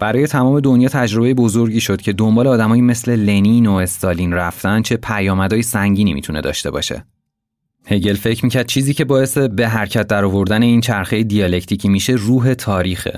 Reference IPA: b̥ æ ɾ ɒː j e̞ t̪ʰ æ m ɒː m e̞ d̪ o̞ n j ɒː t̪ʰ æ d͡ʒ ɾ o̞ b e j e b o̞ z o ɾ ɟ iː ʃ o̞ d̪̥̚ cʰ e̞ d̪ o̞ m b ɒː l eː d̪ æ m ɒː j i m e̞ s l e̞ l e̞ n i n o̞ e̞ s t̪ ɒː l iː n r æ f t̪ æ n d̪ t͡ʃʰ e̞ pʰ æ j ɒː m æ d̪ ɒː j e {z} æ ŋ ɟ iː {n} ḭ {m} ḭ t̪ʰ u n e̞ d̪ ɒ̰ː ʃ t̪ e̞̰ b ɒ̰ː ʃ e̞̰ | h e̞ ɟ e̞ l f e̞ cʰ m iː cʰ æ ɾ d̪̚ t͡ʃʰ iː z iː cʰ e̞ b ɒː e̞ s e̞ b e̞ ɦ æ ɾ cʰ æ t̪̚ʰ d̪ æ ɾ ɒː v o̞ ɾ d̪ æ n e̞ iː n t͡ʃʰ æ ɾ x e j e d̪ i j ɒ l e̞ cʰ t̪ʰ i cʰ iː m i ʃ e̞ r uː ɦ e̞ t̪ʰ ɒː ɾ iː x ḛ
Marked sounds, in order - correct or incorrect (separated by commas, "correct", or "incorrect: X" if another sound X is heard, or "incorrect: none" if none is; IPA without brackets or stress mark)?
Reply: incorrect: s, correct, correct